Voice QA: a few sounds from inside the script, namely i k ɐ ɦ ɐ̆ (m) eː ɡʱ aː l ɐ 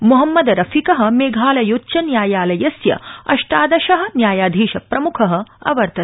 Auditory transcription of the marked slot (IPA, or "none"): m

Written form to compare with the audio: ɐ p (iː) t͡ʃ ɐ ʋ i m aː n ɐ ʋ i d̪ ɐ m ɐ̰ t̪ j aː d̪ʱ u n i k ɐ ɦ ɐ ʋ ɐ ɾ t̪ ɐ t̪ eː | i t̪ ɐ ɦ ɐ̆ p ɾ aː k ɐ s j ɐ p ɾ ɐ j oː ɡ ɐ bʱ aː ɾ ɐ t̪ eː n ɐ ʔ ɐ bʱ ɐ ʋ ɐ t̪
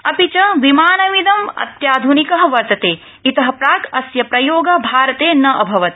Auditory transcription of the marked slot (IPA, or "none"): i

